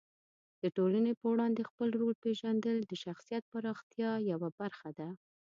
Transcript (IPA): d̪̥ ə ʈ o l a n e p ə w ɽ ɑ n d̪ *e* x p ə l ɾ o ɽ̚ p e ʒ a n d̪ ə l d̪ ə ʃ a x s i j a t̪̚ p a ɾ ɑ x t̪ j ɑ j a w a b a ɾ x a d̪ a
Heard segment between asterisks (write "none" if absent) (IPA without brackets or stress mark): e